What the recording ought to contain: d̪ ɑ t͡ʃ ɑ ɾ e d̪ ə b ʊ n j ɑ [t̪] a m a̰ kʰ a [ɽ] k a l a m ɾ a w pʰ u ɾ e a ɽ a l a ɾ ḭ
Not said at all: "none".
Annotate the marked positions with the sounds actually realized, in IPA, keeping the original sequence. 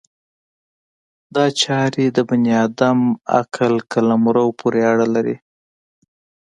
d̪, l

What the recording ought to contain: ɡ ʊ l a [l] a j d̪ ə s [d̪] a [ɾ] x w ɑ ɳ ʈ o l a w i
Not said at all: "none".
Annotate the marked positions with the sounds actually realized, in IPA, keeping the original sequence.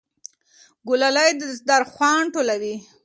l, d̪, ɾ

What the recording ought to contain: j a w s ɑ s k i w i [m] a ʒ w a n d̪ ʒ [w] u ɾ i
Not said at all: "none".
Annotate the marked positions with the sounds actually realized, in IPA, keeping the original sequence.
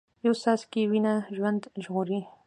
n, ɣ

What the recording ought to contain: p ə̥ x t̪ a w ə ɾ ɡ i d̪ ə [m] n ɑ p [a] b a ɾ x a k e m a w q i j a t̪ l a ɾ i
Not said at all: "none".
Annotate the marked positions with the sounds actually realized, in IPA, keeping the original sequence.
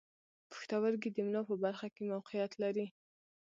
m, ə

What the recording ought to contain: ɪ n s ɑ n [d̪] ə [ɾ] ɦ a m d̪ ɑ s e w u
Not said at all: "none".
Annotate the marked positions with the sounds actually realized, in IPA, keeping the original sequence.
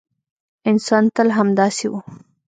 t̪, l

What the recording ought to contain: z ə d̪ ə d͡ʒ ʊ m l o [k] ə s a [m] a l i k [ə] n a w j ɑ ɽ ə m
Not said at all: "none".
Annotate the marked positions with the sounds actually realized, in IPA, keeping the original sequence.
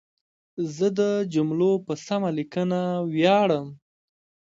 p, m, ə

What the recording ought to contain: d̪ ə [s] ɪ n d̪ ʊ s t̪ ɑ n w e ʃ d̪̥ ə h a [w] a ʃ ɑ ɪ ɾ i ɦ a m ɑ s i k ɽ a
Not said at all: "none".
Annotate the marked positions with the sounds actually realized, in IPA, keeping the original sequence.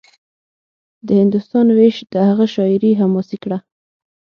h, ɣ

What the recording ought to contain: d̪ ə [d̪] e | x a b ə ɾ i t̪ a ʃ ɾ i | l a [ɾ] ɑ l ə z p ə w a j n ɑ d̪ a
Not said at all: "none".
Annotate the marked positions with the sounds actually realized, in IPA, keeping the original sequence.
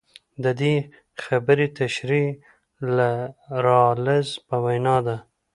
d̪, ɾ

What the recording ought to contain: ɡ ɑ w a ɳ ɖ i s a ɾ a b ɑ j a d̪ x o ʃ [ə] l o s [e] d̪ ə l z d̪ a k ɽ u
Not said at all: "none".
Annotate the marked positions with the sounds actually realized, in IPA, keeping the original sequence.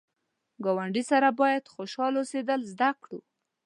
ɑ, e

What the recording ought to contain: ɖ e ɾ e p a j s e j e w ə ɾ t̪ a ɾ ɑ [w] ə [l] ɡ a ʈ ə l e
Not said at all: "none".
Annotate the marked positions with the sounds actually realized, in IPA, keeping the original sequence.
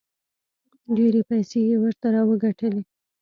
w, none

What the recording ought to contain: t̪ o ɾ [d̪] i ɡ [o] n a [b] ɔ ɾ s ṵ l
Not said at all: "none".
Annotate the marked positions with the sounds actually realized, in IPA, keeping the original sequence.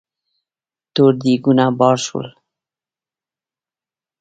d̪, u, b

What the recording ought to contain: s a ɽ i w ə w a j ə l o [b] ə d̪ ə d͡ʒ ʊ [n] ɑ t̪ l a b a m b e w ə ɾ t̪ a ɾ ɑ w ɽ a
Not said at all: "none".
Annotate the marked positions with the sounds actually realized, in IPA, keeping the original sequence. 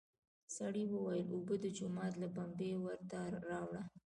b, m

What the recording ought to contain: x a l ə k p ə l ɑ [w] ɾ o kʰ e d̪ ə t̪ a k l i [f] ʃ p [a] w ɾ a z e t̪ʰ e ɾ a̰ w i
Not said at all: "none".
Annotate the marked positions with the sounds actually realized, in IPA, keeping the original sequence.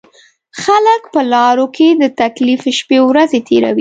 none, f, e

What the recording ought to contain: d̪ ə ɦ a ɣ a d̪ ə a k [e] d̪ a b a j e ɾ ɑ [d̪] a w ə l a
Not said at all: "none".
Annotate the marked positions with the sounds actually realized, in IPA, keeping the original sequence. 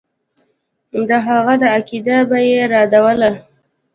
i, d̪

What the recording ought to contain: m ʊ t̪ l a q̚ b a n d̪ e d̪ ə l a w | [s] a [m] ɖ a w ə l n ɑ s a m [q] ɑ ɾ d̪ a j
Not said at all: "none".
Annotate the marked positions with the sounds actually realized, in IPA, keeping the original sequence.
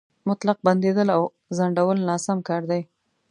z, ɳ, k

